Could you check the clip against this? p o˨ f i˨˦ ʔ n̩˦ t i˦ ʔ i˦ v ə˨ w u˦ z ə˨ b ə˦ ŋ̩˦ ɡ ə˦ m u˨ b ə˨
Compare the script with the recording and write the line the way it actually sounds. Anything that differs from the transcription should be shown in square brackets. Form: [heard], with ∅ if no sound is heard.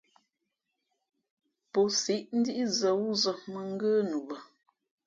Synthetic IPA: p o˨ [s] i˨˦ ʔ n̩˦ [d] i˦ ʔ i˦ [z] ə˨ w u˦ z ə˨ [m] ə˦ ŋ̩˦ ɡ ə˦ [n] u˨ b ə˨